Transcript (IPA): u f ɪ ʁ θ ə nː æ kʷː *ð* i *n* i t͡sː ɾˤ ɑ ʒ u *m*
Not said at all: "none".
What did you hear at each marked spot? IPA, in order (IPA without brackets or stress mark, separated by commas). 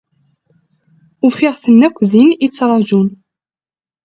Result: ð, n, n